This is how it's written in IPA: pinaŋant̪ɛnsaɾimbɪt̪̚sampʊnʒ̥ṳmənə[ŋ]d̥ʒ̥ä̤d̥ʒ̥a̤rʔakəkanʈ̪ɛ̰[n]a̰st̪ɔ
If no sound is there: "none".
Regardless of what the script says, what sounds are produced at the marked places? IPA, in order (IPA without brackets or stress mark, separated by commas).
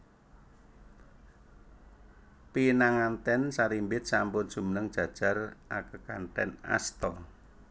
ŋ, n